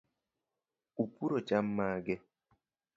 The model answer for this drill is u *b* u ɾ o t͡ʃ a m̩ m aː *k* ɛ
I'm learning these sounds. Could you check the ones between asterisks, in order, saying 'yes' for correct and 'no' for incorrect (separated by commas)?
no, no